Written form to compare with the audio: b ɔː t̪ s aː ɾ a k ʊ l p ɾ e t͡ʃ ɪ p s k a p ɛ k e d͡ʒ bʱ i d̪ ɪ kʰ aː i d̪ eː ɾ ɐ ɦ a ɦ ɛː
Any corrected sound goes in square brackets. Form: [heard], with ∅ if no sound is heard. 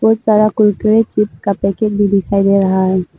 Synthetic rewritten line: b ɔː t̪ s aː ɾ a k ʊ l [k] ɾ e t͡ʃ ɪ p s k a p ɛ k e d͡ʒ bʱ i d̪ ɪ kʰ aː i d̪ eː ɾ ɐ ɦ a ɦ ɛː